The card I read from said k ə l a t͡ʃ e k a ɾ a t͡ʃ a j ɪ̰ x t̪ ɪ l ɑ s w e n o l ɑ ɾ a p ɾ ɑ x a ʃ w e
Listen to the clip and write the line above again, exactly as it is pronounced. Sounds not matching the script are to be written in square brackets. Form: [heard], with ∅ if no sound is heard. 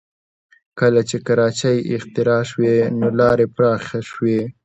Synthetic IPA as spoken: k ə l a t͡ʃ e k a ɾ [ɑ] t͡ʃ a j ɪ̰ x t̪ ɪ [ɾ] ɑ [ʃ] w e n o l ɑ ɾ [e] p ɾ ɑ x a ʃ w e